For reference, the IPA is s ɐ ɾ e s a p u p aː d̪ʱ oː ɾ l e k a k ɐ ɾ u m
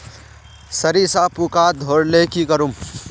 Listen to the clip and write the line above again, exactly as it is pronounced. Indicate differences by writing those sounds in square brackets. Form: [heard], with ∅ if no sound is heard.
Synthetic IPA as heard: s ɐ ɾ [i] s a p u [k] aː d̪ʱ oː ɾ l e k [i] k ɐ ɾ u m